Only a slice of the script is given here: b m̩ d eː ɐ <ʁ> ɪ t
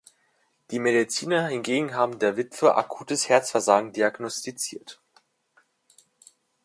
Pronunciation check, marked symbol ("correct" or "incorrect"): incorrect